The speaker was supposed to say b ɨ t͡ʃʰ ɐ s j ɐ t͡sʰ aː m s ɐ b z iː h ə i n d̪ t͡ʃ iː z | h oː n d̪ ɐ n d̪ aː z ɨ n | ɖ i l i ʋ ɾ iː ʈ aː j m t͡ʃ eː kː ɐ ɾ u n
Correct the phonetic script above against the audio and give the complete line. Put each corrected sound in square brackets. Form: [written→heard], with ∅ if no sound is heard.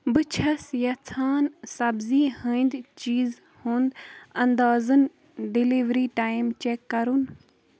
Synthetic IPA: b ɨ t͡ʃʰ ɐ s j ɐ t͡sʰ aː [m→n] s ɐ b z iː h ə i n d̪ t͡ʃ iː z | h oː n d̪ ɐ n d̪ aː z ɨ n | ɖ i l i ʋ ɾ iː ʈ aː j m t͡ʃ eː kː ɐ ɾ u n

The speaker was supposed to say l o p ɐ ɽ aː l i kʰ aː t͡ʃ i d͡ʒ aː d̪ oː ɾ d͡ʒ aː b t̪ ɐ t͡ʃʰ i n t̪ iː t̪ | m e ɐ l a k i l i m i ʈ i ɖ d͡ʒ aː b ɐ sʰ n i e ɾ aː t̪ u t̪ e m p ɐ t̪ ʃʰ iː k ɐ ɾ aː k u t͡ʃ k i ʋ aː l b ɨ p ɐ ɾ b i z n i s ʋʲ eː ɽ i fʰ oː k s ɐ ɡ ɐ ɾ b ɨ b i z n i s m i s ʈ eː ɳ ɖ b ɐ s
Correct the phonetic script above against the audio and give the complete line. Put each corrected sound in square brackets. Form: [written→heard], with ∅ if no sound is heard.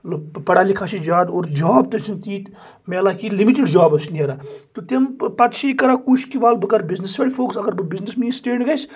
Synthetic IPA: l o p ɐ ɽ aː l i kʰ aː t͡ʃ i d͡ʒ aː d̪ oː ɾ d͡ʒ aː b t̪ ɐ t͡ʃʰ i n t̪ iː t̪ | m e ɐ l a k i l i m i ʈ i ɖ d͡ʒ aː b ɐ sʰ n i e ɾ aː t̪ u t̪ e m p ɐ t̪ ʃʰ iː k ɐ ɾ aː k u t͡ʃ k i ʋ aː l b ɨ [p→k] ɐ ɾ b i z n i s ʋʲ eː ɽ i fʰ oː k s ɐ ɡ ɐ ɾ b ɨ b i z n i s m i s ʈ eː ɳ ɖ [b→ɡ] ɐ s

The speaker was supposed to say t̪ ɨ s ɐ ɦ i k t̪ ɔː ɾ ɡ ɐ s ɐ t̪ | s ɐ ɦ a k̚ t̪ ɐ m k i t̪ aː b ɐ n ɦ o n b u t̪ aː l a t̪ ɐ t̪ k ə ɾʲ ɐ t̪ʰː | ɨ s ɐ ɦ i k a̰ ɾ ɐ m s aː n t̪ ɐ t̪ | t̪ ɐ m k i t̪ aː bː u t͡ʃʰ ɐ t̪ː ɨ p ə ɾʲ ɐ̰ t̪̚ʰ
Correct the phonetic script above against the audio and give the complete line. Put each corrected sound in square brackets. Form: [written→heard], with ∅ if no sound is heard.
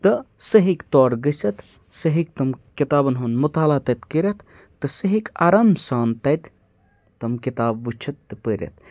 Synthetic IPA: t̪ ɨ s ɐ ɦ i k t̪ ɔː ɾ ɡ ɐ s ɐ t̪ | s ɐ ɦ [a→i] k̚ t̪ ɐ m k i t̪ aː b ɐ n ɦ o n [b→m] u t̪ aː l a t̪ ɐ t̪ k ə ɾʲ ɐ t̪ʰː | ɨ s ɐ ɦ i k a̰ ɾ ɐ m s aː n t̪ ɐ t̪ | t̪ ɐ m k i t̪ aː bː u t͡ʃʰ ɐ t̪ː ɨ p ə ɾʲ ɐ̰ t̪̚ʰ

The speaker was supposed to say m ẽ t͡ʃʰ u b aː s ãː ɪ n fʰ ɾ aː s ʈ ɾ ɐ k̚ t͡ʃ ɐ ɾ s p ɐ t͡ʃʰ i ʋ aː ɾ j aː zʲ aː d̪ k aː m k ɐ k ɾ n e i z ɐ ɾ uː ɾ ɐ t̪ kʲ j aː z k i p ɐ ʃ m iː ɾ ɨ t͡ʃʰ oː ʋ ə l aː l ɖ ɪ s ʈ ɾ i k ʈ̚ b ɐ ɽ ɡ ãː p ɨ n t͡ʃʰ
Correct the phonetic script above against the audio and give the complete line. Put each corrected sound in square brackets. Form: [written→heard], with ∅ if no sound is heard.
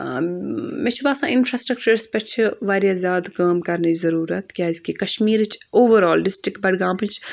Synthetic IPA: m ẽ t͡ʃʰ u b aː s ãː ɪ n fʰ ɾ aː s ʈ ɾ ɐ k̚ t͡ʃ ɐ ɾ s p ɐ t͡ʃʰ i ʋ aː ɾ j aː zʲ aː d̪ k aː m k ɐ [k→∅] ɾ n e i z ɐ ɾ uː ɾ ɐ t̪ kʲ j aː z k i [p→k] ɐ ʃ m iː ɾ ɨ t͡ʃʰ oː ʋ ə [l→ɾ] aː l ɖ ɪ s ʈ ɾ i k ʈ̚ b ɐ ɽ ɡ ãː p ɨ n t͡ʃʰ

